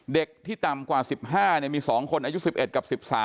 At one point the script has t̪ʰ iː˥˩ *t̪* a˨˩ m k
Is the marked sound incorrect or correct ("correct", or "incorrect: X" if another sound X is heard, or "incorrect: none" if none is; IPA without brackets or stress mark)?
correct